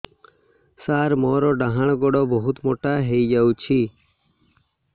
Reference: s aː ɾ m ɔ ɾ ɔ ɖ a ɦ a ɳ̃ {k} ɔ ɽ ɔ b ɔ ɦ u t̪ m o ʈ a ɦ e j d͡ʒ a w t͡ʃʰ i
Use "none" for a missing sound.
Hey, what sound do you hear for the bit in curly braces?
ɡ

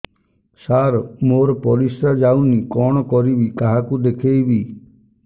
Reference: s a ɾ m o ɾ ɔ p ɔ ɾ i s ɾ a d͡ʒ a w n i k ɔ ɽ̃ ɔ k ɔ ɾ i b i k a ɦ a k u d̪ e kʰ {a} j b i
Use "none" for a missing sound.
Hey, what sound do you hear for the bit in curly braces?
e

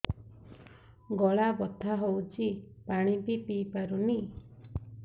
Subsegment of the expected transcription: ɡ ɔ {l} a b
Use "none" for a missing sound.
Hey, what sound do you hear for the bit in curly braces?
ɭ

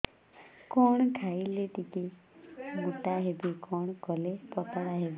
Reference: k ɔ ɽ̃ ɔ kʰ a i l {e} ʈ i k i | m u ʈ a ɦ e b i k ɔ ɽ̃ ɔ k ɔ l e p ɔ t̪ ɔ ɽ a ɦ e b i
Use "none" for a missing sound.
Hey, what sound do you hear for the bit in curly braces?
e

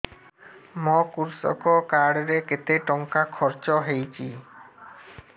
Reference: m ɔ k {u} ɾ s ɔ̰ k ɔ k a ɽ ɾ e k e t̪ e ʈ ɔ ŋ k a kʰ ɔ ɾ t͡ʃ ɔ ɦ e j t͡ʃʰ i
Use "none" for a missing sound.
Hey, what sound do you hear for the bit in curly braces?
u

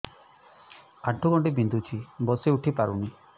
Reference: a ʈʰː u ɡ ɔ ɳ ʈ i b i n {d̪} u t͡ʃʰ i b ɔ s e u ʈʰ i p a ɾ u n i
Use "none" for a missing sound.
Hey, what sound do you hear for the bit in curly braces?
d̪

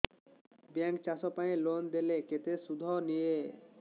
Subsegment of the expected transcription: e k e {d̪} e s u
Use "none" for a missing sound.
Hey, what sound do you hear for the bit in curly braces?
t̪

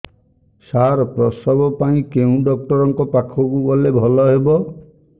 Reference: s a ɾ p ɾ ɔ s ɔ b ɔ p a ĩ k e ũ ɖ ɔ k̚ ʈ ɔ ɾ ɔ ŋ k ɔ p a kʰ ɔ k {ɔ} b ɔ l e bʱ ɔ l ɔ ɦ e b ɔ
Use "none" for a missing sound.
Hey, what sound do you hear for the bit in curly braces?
u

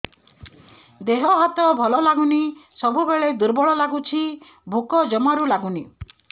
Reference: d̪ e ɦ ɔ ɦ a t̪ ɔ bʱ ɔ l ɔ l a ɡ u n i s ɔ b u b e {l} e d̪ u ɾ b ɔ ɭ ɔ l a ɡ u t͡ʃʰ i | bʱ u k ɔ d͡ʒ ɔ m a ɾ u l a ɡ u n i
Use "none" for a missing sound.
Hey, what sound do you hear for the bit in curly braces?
ɭ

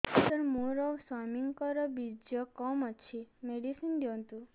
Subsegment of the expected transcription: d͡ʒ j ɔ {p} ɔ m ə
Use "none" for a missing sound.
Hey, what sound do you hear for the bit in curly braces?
k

